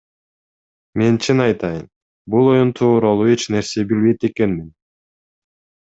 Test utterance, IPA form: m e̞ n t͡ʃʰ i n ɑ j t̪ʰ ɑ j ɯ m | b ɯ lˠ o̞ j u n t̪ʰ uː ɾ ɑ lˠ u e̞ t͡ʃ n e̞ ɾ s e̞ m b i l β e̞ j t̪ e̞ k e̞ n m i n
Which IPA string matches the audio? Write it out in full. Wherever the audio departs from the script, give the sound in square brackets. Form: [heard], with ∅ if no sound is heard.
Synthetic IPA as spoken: m e̞ n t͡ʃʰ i n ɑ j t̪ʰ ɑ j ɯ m | b [u] lˠ o̞ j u n t̪ʰ uː ɾ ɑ lˠ u e̞ t͡ʃ n e̞ ɾ s e̞ [∅] b i l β e̞ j t̪ e̞ k e̞ n m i n